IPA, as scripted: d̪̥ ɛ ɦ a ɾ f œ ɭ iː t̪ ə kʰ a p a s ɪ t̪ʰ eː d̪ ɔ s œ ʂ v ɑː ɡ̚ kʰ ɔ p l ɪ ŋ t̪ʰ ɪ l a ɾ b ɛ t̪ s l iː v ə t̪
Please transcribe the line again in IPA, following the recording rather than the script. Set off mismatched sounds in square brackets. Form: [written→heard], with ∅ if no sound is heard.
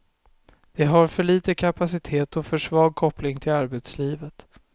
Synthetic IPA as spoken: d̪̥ ɛ ɦ a ɾ f œ ɭ iː t̪ ə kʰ a p a s ɪ t̪ʰ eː [d̪→t̪] ɔ [s→f] œ ʂ v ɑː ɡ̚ kʰ ɔ p l ɪ ŋ t̪ʰ ɪ l a ɾ b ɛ t̪ s l iː v ə t̪